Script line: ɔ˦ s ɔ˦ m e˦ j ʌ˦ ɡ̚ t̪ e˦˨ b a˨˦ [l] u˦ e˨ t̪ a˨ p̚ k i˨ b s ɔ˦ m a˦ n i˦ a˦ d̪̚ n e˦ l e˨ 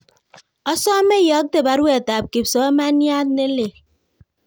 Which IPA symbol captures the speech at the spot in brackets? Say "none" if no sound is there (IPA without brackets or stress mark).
ɾ